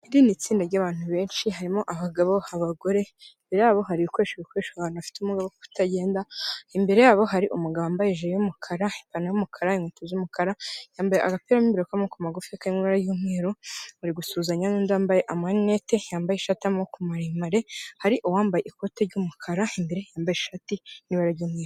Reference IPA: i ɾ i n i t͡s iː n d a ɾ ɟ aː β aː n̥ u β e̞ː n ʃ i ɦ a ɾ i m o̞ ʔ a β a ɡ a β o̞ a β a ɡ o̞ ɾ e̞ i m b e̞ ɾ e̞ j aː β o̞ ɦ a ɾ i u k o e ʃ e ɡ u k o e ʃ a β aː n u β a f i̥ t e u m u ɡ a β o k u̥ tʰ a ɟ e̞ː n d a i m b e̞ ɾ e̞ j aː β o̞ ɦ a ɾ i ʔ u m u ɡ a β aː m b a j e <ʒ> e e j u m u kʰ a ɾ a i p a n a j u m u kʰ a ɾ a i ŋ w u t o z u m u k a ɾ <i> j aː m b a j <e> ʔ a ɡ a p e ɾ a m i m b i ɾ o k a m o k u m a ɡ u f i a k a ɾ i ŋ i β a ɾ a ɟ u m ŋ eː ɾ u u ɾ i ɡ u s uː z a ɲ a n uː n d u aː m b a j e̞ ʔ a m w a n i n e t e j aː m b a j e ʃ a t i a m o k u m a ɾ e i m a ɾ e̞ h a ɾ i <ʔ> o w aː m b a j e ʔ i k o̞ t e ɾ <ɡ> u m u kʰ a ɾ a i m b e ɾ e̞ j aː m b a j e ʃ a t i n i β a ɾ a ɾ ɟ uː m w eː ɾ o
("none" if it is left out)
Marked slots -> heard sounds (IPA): ʒ, a, e, ʔ, ɟ

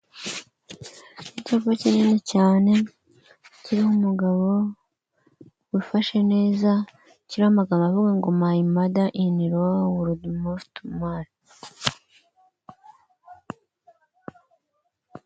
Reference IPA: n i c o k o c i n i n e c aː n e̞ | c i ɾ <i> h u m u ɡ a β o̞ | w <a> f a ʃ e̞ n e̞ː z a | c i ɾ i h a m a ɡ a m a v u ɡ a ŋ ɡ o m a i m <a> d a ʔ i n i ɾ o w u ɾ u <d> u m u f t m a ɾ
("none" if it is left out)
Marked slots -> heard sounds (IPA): i, i, a, d

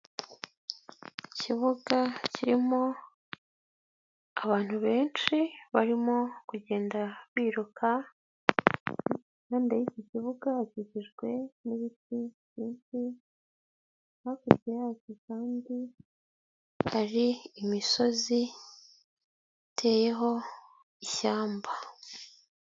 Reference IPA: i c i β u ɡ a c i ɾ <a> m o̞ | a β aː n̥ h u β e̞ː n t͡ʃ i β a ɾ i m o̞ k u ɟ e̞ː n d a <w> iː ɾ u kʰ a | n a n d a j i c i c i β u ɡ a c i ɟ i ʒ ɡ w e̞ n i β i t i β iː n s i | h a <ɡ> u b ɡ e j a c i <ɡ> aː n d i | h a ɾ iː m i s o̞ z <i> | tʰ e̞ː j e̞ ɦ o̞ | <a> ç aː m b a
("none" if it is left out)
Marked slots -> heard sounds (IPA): i, β, k, k, i, i

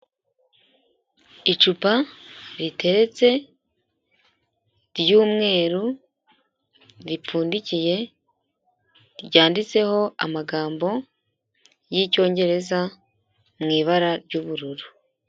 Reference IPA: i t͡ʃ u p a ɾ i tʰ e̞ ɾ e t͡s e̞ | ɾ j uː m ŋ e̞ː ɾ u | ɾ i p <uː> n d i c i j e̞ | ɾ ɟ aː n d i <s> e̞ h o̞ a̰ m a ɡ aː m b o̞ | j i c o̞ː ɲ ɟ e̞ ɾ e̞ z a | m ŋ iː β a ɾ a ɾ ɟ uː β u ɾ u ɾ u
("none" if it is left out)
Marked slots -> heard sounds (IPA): uː, t͡s

